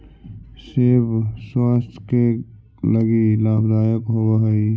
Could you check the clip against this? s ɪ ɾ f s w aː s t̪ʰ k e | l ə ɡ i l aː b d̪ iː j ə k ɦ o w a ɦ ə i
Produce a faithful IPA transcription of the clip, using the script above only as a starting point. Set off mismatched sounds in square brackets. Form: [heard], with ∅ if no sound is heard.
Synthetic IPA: s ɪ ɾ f s w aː s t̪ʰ k e | l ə ɡ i l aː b d̪ [aː] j ə k ɦ o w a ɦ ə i